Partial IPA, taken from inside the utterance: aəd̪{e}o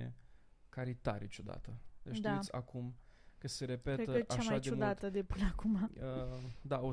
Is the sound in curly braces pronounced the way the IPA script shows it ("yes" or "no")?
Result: no